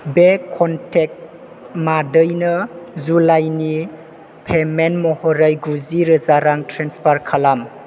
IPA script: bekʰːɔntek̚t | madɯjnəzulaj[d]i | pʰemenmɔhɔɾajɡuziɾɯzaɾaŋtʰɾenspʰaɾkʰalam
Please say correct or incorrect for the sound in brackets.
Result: incorrect